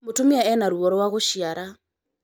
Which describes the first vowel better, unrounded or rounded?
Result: rounded